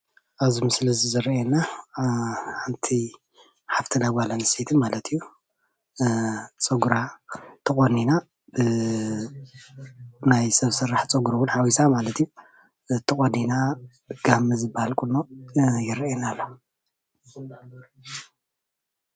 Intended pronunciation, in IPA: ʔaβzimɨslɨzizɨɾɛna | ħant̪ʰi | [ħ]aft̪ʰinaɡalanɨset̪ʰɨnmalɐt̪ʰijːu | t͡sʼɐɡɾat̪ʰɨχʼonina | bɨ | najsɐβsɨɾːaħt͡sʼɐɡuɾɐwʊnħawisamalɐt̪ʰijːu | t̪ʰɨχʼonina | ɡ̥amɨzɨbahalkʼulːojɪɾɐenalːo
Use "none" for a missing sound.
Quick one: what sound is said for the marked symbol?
ħ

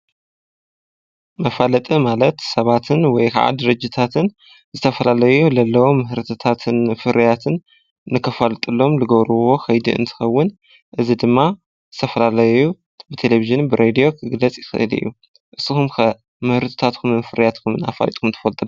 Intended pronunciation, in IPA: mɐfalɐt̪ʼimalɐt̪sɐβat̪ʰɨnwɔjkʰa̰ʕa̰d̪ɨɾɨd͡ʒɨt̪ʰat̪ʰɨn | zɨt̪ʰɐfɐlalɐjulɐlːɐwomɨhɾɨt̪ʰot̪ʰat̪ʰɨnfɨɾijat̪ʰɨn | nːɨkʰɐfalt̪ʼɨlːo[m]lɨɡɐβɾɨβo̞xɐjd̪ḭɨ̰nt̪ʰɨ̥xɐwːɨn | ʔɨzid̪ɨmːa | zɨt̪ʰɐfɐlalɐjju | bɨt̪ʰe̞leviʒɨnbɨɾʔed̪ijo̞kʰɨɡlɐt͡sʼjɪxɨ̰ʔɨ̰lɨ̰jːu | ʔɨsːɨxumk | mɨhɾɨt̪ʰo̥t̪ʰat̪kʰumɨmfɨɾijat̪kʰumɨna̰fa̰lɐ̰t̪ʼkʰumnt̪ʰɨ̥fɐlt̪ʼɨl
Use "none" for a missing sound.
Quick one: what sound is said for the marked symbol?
m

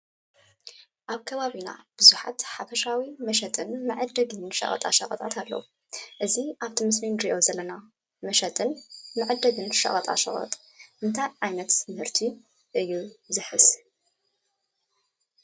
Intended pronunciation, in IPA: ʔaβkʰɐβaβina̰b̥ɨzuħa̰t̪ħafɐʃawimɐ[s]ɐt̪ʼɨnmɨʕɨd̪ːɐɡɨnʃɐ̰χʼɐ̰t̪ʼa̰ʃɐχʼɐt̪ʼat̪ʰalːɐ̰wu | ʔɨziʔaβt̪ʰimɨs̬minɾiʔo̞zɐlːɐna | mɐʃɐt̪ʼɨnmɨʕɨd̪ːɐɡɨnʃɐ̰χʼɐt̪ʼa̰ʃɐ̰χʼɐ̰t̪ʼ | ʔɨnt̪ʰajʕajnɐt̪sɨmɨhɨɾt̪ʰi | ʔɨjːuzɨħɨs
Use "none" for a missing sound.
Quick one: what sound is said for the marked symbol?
ʃ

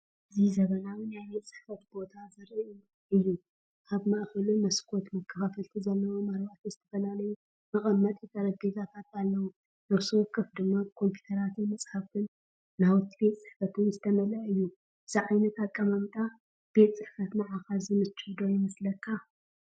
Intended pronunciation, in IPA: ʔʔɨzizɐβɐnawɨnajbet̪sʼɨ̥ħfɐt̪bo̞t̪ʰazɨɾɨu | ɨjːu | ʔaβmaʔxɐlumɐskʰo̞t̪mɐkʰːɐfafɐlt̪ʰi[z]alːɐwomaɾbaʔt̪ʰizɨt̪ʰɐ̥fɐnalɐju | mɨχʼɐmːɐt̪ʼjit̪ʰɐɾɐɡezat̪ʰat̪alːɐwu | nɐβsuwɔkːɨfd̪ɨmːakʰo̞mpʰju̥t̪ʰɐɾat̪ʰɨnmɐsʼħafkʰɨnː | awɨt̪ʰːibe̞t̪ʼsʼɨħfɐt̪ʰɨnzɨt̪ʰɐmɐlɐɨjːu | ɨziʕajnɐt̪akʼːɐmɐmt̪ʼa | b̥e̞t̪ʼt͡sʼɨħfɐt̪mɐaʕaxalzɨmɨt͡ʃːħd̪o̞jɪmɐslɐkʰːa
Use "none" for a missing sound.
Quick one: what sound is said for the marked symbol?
z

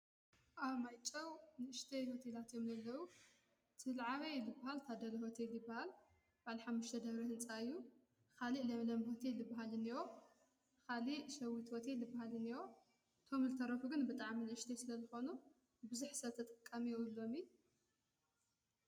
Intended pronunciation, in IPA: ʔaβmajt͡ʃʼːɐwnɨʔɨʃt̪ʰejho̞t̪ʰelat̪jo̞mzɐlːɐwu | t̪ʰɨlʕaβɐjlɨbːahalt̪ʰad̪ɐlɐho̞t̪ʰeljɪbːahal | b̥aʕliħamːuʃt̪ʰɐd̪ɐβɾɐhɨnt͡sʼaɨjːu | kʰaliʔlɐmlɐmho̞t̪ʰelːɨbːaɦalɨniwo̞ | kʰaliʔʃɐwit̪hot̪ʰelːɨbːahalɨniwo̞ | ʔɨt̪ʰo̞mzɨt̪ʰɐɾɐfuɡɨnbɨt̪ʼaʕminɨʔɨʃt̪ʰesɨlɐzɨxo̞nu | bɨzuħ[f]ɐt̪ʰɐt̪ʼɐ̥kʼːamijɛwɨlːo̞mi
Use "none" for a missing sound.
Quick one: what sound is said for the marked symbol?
s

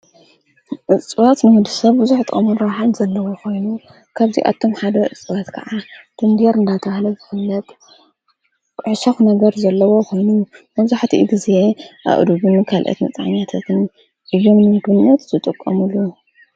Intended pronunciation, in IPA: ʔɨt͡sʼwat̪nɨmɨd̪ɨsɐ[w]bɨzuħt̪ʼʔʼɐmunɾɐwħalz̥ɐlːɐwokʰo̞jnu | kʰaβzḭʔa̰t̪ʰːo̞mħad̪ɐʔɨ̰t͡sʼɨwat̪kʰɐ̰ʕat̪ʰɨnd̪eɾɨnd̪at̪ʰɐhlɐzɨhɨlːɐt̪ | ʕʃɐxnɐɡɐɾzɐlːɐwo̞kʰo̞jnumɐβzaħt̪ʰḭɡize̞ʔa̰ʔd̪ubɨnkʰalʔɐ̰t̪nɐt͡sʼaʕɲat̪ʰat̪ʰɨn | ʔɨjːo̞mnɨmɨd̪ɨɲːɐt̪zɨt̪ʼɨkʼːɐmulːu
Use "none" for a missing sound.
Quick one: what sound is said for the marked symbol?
β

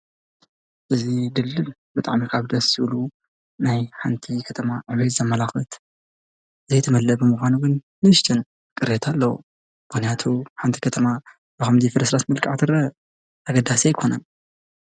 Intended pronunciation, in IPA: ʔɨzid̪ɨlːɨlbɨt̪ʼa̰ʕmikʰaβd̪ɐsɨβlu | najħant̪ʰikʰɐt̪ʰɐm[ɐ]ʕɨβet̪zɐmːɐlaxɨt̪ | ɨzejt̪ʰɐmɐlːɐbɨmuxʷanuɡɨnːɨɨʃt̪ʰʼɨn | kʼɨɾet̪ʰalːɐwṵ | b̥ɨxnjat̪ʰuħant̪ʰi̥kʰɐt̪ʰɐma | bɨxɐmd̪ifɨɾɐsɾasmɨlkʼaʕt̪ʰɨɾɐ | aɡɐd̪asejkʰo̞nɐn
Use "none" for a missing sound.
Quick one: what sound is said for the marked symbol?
a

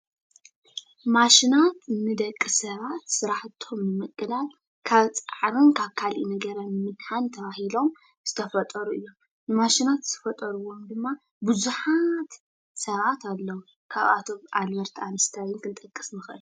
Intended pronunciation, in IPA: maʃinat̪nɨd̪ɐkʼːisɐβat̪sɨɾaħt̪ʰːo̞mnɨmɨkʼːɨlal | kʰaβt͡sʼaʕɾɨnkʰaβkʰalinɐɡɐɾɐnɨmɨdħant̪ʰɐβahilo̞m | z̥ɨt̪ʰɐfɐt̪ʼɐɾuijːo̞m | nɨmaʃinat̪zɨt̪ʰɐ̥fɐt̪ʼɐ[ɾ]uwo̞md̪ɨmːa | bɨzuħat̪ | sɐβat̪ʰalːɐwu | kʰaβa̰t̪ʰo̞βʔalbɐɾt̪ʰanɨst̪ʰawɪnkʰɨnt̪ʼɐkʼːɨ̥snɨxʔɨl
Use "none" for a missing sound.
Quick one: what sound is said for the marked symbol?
ɾ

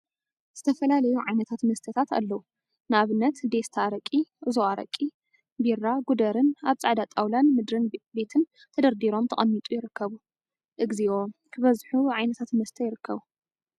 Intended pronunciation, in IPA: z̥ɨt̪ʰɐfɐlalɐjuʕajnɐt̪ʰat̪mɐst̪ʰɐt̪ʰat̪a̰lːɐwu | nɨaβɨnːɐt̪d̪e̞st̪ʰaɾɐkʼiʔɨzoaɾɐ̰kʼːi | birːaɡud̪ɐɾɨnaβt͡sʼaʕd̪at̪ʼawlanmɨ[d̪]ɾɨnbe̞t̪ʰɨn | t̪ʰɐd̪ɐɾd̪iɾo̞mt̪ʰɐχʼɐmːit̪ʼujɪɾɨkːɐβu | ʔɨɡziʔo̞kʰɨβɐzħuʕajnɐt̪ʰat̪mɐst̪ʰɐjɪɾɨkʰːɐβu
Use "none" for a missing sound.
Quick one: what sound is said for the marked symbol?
d̪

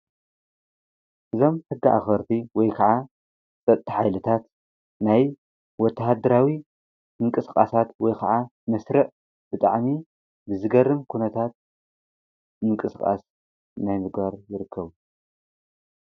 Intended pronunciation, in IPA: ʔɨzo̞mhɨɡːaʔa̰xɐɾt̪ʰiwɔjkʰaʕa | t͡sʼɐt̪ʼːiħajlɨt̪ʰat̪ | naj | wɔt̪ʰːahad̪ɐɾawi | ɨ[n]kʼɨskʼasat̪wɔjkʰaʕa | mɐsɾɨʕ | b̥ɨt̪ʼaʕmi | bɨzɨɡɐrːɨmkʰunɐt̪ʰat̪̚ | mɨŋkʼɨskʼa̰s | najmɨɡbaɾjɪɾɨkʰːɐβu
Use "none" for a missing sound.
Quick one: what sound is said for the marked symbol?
ŋ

